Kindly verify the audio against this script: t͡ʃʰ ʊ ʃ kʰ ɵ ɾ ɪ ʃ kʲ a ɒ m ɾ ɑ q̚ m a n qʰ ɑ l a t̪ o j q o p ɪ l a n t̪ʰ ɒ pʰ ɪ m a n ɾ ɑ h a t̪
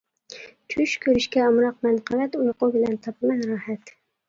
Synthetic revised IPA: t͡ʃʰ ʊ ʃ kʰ ɵ ɾ ɪ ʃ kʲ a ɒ m ɾ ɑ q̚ m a n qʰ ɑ l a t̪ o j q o b ɪ l a n t̪ʰ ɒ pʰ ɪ m a n ɾ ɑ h a t̪